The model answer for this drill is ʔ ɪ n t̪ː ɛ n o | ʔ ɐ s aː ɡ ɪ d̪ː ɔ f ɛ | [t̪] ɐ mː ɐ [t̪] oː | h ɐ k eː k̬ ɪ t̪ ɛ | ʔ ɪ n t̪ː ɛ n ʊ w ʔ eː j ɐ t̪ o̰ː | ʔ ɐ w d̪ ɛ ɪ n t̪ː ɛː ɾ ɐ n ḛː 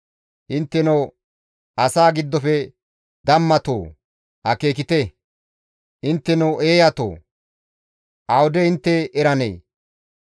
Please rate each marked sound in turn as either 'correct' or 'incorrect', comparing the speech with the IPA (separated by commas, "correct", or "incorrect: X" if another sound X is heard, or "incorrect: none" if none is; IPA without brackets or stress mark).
incorrect: d̪, correct